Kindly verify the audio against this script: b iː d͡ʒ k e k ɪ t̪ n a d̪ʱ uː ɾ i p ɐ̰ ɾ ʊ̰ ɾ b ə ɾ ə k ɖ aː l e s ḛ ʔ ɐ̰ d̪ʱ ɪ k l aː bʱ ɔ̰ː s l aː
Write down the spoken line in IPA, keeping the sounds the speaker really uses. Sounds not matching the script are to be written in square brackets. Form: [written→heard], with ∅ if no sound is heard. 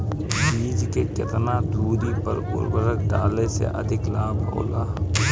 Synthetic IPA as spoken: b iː d͡ʒ k e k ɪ t̪ n a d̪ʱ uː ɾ i p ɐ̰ ɾ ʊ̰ ɾ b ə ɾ ə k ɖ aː l e s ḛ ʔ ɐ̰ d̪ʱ ɪ k l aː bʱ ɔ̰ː [s→∅] l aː

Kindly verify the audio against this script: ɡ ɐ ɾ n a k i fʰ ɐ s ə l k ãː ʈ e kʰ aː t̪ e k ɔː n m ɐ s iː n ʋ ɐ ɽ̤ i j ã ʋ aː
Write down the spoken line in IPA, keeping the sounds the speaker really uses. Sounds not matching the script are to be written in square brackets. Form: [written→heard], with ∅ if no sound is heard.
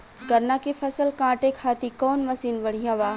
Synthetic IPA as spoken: ɡ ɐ ɾ n a k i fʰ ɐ s ə l k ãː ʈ e kʰ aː t̪ [e→i] k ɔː n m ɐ s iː n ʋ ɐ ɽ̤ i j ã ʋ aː

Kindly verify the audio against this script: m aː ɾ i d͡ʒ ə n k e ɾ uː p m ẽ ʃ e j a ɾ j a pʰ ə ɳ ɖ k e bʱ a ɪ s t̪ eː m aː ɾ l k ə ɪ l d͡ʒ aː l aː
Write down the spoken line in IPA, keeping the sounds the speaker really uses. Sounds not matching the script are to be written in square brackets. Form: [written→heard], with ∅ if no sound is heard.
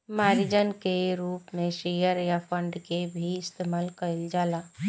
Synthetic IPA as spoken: m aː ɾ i d͡ʒ ə n k e ɾ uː p m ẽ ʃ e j [a→ə] ɾ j a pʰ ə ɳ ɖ k e bʱ [a→i] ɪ s t̪ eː m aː [ɾ→∅] l k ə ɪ l d͡ʒ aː l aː

